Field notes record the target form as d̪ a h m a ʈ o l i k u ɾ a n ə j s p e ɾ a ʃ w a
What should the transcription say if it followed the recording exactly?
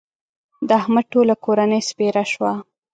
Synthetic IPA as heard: d̪ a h m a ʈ o l a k o ɾ a n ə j s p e ɾ a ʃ w a